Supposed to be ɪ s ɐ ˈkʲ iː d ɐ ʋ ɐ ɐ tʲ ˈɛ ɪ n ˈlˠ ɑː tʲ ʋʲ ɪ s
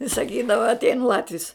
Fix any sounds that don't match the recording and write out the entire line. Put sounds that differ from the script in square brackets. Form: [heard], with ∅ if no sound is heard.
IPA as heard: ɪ s ɐ ˈkʲ iː d ɐ ʋ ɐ ɐ tʲ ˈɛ ɪ n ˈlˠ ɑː tʲ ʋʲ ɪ s

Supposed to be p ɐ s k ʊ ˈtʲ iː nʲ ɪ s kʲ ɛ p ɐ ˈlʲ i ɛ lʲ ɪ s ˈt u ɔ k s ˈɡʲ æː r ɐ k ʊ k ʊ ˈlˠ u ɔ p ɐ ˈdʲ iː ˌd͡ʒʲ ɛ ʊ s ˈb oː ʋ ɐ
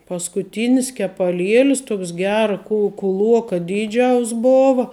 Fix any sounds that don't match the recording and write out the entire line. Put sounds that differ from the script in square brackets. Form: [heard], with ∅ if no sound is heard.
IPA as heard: p ɐ s k ʊ ˈtʲ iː nʲ ɪ s kʲ ɛ p ɐ ˈlʲ i ɛ lʲ ɪ s ˈt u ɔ k s ˈɡʲ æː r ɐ k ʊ k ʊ ˈlˠ u ɔ [k] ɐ ˈdʲ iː ˌd͡ʒʲ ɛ ʊ s ˈb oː ʋ ɐ

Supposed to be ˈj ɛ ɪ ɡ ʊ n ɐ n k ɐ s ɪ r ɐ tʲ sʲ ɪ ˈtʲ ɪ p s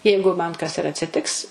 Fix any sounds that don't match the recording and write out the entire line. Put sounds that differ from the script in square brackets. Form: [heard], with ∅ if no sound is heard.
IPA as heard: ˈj ɛ ɪ ɡ ʊ [m] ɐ n k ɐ s ɪ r ɐ tʲ sʲ ɪ ˈtʲ ɪ [k] s

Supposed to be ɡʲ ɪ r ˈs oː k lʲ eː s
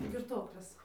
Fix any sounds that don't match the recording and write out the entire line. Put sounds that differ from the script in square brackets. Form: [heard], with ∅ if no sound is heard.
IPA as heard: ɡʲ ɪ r [ˈt] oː k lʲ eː s

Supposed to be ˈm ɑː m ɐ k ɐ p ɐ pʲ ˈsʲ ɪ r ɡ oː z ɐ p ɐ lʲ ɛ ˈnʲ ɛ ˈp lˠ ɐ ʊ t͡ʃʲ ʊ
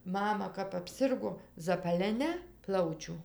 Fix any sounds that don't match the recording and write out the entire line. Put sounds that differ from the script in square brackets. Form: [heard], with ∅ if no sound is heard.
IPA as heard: ˈm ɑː m ɐ k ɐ p ɐ pʲ ˈsʲ ɪ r ɡ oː z ɐ p ɐ lʲ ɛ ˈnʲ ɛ ˈp lˠ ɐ ʊ t͡ʃʲ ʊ

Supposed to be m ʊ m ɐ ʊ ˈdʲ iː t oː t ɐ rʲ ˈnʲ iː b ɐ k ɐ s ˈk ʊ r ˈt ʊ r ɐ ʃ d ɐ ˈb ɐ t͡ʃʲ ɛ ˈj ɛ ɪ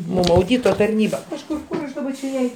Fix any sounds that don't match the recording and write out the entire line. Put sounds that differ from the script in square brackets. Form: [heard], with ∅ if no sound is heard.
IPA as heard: m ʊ m ɐ ʊ ˈdʲ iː t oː t ɐ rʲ ˈnʲ iː b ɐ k ɐ [ʃ] ˈk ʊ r [ˈk] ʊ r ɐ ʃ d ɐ ˈb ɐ t͡ʃʲ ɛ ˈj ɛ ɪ

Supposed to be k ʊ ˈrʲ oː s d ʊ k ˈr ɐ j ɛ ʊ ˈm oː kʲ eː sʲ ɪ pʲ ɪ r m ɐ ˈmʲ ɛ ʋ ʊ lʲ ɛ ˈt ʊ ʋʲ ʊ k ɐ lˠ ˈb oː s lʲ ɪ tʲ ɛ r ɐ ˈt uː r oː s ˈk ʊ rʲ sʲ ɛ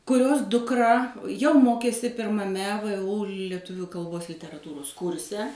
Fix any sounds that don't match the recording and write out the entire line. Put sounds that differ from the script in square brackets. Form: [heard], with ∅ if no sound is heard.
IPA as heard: k ʊ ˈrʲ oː s d ʊ k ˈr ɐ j ɛ ʊ ˈm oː kʲ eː sʲ ɪ pʲ ɪ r m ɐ ˈmʲ ɛ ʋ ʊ lʲ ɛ ˈt ʊ ʋʲ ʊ k ɐ lˠ ˈb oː s lʲ ɪ tʲ ɛ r ɐ ˈt uː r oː s ˈk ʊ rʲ sʲ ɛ

